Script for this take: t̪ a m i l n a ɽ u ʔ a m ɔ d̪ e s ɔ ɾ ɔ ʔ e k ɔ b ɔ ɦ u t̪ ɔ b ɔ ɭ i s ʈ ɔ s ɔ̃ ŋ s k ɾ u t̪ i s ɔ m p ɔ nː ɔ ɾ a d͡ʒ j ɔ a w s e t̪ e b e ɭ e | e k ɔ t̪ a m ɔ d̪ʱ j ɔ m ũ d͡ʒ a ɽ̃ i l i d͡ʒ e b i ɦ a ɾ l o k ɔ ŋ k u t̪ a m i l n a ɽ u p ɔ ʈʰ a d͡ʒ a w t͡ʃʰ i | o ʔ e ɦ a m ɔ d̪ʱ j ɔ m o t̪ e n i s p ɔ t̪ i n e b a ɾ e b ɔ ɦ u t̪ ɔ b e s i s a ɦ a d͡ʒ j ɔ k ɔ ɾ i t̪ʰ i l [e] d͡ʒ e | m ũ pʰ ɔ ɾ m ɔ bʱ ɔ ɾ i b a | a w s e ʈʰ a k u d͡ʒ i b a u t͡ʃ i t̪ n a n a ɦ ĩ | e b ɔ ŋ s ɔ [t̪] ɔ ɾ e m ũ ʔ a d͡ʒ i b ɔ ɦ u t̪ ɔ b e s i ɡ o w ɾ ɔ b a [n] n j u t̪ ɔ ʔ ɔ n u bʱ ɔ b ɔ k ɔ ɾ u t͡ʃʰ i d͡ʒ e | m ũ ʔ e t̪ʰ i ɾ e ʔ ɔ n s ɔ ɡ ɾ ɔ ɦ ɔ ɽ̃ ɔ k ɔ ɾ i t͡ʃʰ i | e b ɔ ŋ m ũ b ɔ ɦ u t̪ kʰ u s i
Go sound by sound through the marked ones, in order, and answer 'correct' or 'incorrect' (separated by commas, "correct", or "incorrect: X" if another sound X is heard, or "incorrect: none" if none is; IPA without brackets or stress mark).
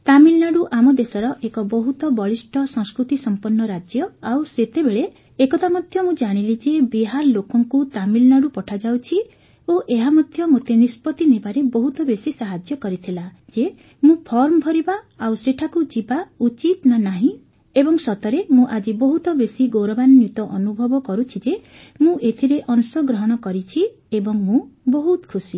incorrect: a, correct, correct